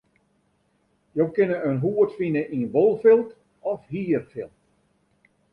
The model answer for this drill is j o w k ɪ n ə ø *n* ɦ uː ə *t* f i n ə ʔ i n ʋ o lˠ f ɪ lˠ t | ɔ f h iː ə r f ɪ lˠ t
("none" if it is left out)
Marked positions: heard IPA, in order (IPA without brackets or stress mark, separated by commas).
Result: n, t